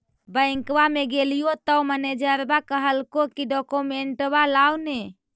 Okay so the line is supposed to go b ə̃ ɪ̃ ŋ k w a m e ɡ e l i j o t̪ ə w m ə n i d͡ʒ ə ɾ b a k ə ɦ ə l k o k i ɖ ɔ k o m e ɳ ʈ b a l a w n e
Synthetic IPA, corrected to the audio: b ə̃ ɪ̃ ŋ k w a m e ɡ e l i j o t̪ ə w m ə n e d͡ʒ ə ɾ b a k ə ɦ ə l k o k i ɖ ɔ k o m e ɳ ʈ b a l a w n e